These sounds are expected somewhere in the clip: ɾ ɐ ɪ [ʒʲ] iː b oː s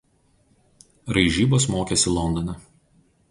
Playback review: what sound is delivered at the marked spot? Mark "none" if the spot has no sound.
ʒʲ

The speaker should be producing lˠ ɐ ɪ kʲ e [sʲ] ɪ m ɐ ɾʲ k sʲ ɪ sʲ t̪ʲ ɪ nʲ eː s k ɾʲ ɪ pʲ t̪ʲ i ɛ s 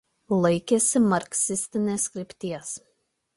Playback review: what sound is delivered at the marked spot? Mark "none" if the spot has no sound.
sʲ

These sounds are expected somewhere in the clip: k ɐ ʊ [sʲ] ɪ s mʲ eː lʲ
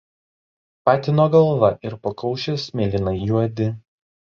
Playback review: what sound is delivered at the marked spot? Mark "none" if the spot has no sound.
ʃʲ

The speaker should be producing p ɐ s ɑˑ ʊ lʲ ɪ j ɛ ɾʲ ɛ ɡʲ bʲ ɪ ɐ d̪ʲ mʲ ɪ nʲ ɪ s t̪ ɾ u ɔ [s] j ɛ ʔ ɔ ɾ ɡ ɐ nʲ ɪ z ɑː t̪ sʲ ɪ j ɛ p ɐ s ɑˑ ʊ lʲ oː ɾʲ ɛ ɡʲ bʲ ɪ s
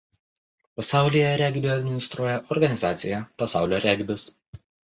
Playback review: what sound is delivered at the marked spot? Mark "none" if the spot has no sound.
none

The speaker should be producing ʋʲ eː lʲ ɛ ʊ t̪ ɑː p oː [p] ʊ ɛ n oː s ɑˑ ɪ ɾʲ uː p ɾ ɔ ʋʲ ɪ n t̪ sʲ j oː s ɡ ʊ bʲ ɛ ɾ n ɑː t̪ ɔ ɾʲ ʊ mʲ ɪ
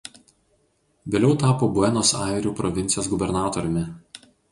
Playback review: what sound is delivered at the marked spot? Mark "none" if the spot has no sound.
b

